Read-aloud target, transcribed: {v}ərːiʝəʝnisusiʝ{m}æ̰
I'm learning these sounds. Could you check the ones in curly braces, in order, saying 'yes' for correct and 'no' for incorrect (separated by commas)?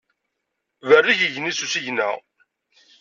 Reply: yes, no